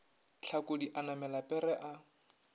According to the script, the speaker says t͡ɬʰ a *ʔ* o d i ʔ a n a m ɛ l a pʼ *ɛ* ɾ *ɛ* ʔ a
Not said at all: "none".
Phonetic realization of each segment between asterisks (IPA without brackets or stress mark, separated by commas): k, ɛ, ɛ